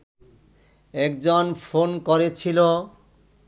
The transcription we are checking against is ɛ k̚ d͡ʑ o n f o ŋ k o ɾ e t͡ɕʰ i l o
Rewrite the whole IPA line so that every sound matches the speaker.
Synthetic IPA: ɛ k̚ d͡ʑ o n f o n k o ɾ e t͡ɕʰ i l o